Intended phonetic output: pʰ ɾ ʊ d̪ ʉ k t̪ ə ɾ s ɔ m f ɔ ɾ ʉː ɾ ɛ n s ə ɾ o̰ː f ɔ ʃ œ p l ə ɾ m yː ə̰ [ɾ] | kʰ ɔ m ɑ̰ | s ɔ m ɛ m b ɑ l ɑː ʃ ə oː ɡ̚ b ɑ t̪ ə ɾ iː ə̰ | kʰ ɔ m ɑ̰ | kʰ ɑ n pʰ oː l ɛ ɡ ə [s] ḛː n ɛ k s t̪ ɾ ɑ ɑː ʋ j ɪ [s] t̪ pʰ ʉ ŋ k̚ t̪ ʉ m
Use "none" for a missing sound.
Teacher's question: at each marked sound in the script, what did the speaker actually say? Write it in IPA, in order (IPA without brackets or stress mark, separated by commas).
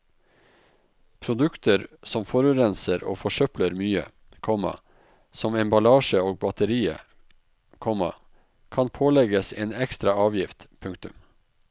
none, s, f